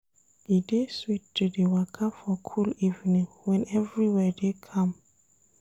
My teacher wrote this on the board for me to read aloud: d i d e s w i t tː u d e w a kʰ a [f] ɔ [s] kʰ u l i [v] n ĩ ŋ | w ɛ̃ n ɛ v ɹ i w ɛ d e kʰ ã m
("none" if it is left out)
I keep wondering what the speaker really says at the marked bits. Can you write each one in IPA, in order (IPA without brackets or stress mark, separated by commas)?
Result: f, none, v